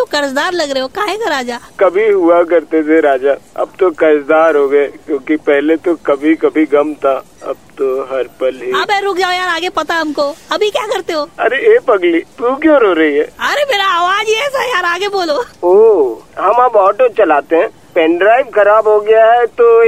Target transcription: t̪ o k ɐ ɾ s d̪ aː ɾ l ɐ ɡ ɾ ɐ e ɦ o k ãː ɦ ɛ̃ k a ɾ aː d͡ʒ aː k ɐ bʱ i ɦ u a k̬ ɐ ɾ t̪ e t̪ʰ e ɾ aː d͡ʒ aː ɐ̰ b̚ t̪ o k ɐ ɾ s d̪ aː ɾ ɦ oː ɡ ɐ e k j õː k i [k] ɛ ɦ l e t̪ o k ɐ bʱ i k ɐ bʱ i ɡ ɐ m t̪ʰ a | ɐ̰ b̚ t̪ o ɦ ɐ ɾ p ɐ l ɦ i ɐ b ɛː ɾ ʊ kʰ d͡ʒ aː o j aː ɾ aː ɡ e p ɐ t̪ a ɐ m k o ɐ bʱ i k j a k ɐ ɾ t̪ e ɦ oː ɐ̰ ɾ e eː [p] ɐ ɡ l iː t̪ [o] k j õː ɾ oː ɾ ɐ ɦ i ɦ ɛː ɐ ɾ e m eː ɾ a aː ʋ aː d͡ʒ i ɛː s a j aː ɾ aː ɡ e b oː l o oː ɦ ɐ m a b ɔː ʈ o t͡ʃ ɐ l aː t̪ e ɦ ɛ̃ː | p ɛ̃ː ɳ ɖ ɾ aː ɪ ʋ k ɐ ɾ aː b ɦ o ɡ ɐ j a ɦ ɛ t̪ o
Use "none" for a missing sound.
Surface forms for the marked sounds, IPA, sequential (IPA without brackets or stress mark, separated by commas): p, p, u